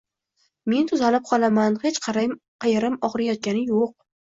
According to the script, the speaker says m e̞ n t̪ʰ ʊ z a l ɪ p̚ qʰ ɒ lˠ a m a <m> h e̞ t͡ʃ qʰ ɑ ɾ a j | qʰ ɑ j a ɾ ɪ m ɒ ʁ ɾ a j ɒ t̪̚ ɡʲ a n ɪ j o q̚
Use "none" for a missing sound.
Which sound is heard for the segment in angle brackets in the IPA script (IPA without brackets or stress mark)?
n